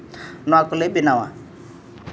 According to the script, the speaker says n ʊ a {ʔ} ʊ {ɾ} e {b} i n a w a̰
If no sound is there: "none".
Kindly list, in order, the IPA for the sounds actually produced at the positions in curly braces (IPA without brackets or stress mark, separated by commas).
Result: k, l, b